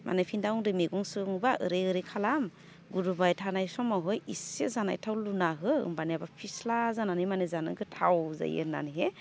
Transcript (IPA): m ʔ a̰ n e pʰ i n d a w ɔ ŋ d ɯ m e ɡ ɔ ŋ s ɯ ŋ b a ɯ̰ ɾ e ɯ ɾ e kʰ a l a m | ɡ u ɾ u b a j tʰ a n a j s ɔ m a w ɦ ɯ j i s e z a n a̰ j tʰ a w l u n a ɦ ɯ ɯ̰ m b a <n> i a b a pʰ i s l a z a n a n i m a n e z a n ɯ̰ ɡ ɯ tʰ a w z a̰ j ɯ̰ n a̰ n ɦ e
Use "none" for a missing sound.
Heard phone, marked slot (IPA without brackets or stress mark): n